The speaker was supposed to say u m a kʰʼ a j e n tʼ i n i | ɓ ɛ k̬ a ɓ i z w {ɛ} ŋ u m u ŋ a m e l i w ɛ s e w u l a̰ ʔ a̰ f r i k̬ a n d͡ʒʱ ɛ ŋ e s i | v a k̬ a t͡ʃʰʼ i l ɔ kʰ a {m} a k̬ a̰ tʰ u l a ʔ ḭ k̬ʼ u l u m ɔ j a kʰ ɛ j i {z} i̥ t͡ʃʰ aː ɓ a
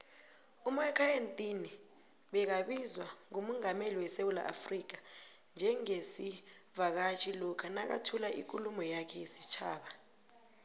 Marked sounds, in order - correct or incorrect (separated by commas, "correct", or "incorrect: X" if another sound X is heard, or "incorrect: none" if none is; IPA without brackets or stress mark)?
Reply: incorrect: a, incorrect: n, incorrect: s